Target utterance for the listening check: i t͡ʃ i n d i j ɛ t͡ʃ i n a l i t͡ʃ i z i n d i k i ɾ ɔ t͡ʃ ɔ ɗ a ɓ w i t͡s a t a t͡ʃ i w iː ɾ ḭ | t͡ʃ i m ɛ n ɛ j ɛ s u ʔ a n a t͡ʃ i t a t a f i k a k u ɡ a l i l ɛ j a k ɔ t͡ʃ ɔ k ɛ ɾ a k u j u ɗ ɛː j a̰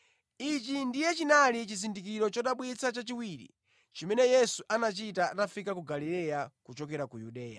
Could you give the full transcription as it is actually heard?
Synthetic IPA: i t͡ʃ i n d i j ɛ t͡ʃ i n a l i t͡ʃ i z i n d i k i ɾ ɔ t͡ʃ ɔ ɗ a ɓ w i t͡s a t͡ʃ a t͡ʃ i w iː ɾ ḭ | t͡ʃ i m ɛ n ɛ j ɛ s u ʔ a n a t͡ʃ i t a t a f i k a k u ɡ a l i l ɛ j a k u t͡ʃ ɔ k ɛ ɾ a k u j u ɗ ɛː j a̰